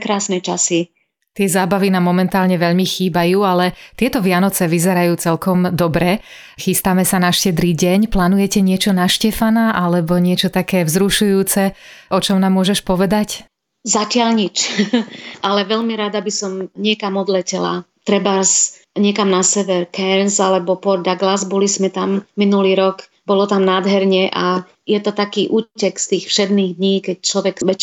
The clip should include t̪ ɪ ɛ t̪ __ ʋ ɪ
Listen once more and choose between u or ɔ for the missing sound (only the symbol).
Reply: ɔ